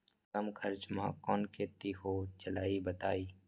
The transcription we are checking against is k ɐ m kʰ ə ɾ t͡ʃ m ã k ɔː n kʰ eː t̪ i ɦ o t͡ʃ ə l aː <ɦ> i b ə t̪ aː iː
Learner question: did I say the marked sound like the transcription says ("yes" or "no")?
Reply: no